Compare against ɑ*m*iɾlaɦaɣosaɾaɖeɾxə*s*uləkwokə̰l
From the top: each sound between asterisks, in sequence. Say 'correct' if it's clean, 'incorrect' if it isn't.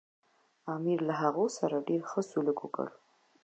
correct, correct

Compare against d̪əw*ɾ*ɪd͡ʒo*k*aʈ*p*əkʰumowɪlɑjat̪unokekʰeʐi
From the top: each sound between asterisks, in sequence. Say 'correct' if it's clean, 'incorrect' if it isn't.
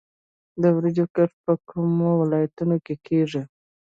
correct, correct, correct

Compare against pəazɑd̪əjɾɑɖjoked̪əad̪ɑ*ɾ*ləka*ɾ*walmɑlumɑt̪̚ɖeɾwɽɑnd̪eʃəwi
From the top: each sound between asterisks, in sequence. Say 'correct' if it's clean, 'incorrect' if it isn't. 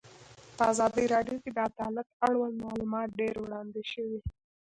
incorrect, incorrect

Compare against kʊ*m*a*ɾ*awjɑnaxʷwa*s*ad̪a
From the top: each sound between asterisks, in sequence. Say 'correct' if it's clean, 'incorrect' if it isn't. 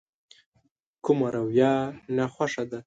correct, correct, incorrect

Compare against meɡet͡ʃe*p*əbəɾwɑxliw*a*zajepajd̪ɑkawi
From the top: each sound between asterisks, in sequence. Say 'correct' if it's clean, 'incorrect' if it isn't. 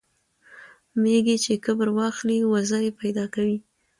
incorrect, correct

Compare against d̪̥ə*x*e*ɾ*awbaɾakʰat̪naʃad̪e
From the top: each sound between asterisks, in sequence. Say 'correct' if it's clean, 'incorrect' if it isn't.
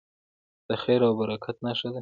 correct, correct

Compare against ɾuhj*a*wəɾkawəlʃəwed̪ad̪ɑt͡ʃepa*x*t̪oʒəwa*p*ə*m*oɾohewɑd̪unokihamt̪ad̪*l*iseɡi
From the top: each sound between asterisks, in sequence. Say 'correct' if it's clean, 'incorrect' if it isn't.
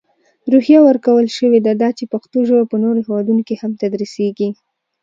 correct, correct, correct, incorrect, incorrect

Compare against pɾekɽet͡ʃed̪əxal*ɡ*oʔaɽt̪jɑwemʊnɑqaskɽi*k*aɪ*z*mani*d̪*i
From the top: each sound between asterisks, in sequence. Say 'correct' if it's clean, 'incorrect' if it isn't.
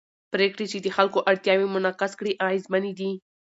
incorrect, incorrect, correct, correct

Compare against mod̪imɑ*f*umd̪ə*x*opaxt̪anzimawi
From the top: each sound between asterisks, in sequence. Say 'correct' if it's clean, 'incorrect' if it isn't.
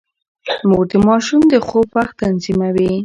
incorrect, correct

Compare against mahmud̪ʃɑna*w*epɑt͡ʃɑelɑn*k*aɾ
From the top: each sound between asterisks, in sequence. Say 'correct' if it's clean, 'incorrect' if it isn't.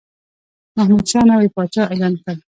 correct, correct

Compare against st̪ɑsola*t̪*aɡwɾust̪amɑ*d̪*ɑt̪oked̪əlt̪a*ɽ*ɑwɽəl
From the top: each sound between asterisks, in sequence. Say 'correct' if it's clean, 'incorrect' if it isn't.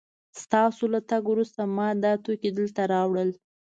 correct, correct, incorrect

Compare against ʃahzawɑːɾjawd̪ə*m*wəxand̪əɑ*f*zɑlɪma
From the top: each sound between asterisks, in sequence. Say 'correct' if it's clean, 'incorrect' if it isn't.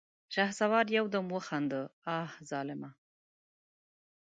correct, incorrect

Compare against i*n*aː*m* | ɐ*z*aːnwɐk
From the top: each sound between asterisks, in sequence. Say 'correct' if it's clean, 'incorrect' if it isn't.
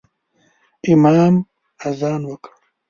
incorrect, correct, correct

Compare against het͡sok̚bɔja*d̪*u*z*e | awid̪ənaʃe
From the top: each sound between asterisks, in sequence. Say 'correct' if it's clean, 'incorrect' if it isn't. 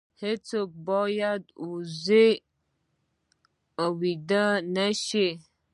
correct, correct

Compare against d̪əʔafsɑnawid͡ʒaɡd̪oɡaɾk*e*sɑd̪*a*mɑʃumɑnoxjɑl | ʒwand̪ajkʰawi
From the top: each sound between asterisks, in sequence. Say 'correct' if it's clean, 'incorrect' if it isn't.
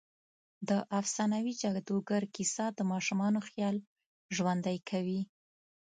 incorrect, incorrect

